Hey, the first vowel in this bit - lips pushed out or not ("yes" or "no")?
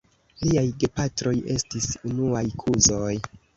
no